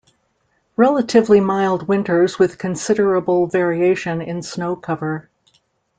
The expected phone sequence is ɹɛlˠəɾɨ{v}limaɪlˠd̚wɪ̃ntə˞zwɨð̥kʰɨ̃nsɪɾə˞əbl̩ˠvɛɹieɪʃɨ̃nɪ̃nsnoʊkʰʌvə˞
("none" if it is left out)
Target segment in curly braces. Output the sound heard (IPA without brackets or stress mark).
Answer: v